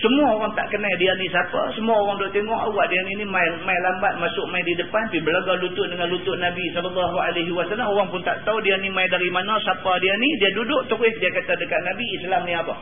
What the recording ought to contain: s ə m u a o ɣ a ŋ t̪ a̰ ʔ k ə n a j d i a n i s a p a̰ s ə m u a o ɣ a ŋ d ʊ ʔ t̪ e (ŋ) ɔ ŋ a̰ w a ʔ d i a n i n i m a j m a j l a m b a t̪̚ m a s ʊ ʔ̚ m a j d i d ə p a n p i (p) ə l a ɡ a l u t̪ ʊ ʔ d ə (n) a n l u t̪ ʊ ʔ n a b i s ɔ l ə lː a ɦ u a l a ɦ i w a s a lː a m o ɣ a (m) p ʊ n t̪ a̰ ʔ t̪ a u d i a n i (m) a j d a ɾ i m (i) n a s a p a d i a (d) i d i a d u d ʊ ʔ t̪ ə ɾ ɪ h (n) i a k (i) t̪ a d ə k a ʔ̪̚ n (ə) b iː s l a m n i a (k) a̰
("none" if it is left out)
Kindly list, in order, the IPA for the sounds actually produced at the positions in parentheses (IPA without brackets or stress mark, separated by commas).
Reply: ŋ, b, ŋ, ŋ, m, a, n, d, a, a, p